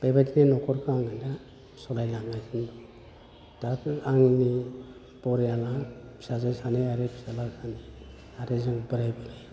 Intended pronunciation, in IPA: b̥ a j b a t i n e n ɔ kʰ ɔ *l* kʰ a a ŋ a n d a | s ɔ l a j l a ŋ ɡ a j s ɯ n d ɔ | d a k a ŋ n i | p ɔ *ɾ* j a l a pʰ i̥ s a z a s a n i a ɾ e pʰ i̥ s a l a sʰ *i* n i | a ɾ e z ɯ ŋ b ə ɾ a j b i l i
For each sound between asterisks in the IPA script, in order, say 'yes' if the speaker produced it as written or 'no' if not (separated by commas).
no, yes, no